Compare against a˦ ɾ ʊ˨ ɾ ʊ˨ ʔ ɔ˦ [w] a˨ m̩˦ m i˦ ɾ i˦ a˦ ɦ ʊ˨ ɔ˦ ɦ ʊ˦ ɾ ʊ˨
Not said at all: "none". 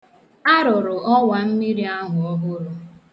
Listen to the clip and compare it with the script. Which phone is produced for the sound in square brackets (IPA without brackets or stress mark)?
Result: w